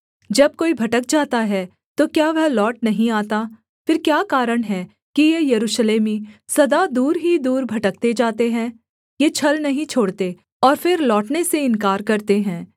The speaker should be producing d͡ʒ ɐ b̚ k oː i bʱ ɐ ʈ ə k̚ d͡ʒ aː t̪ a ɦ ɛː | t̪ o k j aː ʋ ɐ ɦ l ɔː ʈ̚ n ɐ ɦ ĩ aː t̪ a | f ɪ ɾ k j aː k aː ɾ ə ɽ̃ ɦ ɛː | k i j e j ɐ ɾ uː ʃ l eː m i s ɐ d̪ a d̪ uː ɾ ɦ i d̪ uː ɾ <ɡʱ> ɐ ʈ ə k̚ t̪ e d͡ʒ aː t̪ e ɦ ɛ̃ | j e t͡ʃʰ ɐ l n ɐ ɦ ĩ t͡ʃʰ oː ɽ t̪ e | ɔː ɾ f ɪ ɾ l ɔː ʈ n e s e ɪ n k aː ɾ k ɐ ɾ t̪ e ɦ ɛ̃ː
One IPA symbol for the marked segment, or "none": bʱ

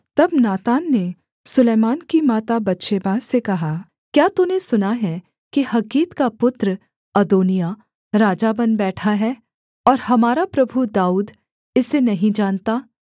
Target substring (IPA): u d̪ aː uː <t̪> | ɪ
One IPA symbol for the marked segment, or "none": d̪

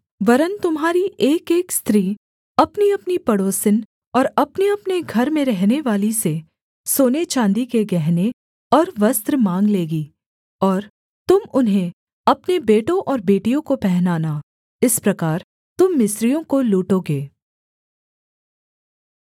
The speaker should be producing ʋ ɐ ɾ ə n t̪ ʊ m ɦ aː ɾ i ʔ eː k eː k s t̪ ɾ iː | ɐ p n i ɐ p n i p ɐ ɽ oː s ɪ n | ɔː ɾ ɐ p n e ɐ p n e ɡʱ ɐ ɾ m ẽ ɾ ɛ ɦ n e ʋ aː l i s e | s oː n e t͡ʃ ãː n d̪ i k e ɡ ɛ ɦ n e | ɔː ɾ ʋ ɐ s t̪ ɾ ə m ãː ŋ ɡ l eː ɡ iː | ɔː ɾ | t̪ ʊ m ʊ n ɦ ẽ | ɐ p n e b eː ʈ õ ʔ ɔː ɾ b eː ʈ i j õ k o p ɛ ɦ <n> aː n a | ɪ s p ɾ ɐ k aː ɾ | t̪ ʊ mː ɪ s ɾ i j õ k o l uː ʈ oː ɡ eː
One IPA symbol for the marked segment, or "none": n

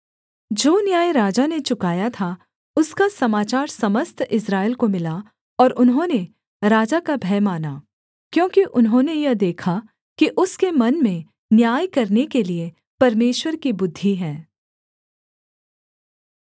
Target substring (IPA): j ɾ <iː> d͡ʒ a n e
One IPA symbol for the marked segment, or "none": aː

